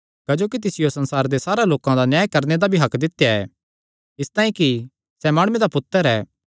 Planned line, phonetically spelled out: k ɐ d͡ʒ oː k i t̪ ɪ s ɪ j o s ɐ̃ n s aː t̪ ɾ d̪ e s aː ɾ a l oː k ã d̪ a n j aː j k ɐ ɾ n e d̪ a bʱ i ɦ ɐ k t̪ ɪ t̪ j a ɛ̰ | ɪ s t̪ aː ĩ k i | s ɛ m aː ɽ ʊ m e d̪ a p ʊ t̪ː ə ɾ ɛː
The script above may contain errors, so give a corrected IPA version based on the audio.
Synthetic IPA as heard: k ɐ d͡ʒ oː k i t̪ ɪ s ɪ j o s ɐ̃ n s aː ɾ d̪ e s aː ɾ a l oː k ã d̪ a n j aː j k ɐ ɾ n e d̪ a bʱ i ɦ ɐ k d̪ ɪ t̪ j a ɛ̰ | ɪ s t̪ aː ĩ k i | s ɛ m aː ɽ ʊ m e d̪ a p ʊ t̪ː ə ɾ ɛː